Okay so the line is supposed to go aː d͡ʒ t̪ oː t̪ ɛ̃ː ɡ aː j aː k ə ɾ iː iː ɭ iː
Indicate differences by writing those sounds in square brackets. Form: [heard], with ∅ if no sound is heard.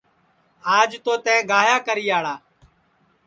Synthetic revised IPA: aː d͡ʒ t̪ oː t̪ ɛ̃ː ɡ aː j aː k ə ɾ iː [aː] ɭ [aː]